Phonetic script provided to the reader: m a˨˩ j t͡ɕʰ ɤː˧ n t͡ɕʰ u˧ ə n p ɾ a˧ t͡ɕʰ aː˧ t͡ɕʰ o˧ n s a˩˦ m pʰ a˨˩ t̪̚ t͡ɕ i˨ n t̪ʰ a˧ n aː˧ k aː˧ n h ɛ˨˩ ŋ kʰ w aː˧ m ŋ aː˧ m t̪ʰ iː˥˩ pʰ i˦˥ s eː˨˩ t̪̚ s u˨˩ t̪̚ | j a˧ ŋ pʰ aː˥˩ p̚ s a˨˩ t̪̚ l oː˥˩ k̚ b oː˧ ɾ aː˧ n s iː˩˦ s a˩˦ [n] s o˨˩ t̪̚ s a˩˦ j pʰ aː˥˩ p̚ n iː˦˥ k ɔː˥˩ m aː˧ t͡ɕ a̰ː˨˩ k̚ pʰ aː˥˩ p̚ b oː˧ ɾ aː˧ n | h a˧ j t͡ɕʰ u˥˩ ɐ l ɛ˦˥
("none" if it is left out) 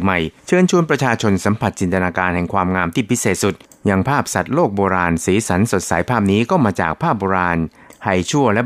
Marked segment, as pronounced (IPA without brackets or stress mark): n